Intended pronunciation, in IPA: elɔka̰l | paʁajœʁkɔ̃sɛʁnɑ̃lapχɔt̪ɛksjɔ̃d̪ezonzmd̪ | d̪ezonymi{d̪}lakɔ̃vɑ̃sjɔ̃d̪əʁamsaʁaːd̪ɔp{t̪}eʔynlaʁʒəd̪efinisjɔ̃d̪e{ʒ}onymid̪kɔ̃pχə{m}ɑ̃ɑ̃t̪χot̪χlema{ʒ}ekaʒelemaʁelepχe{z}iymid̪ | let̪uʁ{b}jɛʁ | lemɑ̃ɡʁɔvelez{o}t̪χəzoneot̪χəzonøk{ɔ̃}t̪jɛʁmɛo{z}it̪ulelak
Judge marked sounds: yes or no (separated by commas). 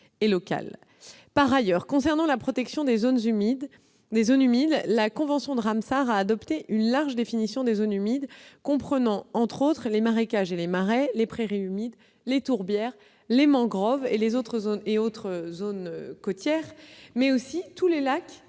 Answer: yes, yes, no, no, no, no, yes, yes, no, no